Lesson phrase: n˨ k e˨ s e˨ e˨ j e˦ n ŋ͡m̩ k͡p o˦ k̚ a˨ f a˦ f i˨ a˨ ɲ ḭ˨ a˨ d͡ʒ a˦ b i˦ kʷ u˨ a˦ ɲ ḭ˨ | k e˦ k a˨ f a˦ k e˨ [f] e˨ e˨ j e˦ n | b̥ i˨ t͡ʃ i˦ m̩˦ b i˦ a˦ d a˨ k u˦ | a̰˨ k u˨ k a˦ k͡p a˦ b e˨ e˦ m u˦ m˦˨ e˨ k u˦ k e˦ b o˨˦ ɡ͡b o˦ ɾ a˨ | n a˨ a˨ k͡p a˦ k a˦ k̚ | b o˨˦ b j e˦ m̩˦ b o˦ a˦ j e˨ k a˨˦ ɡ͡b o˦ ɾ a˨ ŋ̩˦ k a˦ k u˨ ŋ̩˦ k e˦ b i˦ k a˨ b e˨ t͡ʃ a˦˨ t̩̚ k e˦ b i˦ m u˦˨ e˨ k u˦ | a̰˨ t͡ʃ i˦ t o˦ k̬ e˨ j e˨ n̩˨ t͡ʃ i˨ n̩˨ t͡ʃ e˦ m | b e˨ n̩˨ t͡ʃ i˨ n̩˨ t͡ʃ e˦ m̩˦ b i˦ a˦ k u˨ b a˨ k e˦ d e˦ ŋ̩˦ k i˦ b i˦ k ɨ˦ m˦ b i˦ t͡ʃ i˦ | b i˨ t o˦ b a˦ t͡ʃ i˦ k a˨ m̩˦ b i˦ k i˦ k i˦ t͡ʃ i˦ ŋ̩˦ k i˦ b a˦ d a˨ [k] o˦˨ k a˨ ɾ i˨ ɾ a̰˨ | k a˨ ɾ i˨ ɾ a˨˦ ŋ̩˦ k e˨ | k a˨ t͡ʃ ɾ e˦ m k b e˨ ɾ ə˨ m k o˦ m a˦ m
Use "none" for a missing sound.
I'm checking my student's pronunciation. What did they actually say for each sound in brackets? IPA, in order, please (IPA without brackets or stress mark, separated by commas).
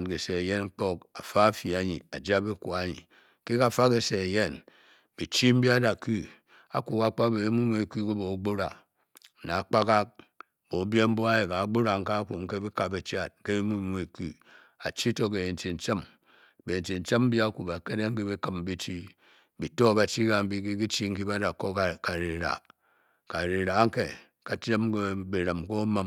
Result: s, k